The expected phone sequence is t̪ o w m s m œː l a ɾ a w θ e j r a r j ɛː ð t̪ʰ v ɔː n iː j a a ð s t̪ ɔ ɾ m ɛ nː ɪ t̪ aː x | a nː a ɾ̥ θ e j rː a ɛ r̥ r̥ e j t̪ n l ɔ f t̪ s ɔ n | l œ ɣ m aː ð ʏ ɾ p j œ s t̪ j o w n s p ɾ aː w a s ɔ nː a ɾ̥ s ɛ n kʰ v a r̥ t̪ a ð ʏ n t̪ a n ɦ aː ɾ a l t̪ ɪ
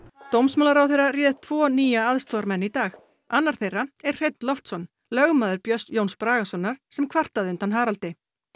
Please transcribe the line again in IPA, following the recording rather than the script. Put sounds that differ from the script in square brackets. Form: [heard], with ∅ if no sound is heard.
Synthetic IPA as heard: t̪ o w m s m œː l a ɾ a w θ e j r a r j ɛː ð t̪ʰ v ɔː n iː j a a ð s t̪ ɔ ɾ m ɛ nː [i] t̪ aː x | a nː a ɾ̥ θ e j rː a ɛ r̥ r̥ e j t̪ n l ɔ f t̪ s ɔ n | l œ ɣ m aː ð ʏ ɾ p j œ s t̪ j o w n s p ɾ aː [ɣ] a s ɔ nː a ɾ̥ s ɛ [m] kʰ v a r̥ t̪ a ð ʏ n t̪ a n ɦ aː ɾ a l t̪ ɪ